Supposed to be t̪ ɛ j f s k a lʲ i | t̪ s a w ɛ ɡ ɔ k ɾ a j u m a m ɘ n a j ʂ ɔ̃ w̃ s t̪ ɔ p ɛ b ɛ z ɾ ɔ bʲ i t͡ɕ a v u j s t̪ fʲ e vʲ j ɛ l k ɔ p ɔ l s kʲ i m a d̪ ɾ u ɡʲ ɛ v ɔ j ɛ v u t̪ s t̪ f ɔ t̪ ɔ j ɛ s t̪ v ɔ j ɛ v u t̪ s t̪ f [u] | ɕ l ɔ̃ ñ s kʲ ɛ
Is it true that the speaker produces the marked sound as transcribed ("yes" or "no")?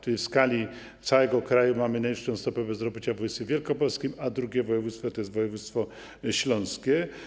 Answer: no